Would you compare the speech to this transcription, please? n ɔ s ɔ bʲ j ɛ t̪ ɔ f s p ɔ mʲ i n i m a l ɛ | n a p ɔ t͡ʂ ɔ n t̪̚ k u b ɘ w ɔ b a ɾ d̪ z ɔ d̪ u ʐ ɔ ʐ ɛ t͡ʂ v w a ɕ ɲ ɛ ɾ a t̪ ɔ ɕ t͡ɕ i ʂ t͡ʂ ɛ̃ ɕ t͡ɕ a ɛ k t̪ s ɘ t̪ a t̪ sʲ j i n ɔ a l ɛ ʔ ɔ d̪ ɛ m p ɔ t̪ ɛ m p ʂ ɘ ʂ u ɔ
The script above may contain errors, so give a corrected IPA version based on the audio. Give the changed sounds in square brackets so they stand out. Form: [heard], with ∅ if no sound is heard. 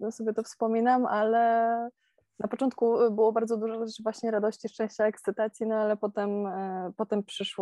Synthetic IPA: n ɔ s ɔ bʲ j ɛ t̪ ɔ f s p ɔ mʲ i n [a] m a l ɛ | n a p ɔ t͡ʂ ɔ n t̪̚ k u b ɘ w ɔ b a ɾ d̪ z ɔ d̪ u ʐ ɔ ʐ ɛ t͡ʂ v w a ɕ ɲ ɛ ɾ a [d̪] ɔ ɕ t͡ɕ i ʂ t͡ʂ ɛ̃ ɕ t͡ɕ a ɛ k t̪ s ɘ t̪ a t̪ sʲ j i n ɔ a l ɛ [p] ɔ [t̪] ɛ m p ɔ t̪ ɛ m p ʂ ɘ ʂ [w] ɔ